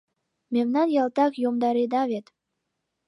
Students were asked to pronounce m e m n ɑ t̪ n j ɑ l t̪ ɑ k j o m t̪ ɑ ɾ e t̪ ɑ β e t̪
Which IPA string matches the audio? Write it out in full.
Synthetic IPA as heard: m e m n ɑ n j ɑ l t̪ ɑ k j o m d̪ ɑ ɾ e d̪ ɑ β e t̪